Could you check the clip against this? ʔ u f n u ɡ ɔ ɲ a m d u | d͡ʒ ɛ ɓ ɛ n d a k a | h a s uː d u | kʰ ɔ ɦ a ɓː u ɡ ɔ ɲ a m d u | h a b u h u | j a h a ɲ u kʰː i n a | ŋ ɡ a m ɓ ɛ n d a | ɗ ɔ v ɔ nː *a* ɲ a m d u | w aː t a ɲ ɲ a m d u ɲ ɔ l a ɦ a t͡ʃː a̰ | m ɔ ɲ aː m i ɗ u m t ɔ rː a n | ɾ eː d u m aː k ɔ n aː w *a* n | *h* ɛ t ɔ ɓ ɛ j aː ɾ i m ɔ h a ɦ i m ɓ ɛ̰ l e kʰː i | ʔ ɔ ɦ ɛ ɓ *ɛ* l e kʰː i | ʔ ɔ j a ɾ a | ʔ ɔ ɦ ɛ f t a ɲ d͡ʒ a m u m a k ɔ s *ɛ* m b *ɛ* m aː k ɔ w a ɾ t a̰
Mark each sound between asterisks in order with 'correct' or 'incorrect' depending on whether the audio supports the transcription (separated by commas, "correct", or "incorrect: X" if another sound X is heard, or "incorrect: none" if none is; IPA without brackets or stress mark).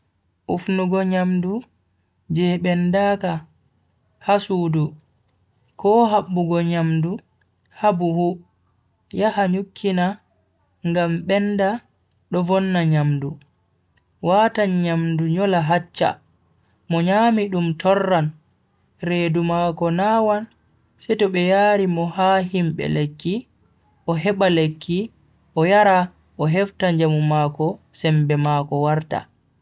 correct, correct, incorrect: s, incorrect: a, correct, correct